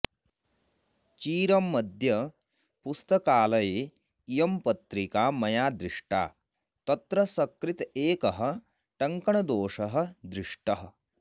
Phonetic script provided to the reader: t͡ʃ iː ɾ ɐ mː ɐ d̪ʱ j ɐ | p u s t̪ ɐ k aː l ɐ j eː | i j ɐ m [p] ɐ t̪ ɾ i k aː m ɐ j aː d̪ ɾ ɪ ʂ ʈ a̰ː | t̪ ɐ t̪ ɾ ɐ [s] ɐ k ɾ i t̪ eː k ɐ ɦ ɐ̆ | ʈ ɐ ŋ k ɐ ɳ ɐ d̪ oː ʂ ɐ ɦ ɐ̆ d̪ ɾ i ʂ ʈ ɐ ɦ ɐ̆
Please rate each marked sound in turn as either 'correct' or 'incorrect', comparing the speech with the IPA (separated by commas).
correct, correct